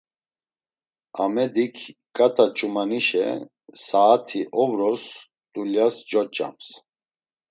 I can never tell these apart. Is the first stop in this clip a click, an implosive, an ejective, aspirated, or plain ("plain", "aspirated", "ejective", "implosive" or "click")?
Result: plain